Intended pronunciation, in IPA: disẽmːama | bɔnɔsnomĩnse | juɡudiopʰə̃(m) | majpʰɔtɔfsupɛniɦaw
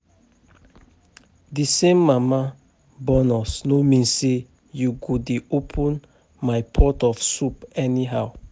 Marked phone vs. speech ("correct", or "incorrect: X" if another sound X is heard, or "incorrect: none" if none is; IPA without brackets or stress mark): incorrect: n